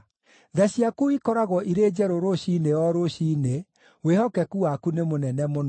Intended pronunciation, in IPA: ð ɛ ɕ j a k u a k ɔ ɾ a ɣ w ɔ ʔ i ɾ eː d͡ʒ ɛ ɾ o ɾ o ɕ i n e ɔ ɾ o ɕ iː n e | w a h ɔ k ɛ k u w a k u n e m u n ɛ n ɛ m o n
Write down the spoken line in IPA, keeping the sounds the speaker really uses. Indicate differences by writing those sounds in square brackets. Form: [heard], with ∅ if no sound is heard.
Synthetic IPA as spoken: ð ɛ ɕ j a k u [i] k ɔ ɾ a ɣ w ɔ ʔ i ɾ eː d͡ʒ ɛ ɾ o ɾ o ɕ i n e ɔ ɾ o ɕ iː n e | w [e] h ɔ k ɛ k u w a k u n e m [o] n ɛ n ɛ m o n